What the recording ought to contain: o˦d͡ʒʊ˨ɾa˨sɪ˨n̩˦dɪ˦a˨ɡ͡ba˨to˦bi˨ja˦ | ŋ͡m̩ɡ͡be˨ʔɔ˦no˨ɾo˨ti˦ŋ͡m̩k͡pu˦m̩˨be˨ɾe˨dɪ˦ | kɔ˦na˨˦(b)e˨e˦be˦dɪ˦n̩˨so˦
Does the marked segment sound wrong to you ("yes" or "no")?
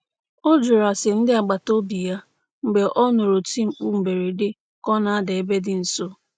yes